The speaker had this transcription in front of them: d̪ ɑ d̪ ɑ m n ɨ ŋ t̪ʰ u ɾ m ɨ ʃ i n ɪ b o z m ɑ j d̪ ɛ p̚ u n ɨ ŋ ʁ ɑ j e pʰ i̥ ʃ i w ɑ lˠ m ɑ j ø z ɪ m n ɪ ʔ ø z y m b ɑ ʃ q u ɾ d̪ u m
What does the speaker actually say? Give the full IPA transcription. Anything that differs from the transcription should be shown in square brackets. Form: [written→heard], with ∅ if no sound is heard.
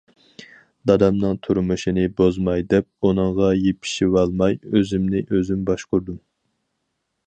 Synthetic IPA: d̪ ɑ d̪ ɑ m n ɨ ŋ t̪ʰ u ɾ m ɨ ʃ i n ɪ b o z m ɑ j d̪ ɛ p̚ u n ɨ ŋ ʁ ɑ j e pʰ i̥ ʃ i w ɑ lˠ m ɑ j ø z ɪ m n ɪ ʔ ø z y m b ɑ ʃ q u ɾ d̪ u m